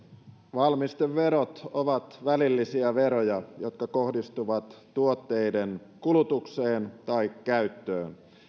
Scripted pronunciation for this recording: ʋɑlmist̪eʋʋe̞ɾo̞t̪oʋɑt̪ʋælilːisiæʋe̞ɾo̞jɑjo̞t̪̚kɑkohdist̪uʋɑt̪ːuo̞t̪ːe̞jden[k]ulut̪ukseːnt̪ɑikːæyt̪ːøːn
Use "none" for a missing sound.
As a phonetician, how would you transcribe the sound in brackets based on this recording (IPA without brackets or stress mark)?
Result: k